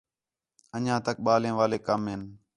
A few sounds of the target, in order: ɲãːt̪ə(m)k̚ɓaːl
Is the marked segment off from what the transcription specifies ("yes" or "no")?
yes